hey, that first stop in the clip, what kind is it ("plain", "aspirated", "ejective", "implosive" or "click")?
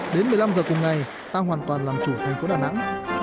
implosive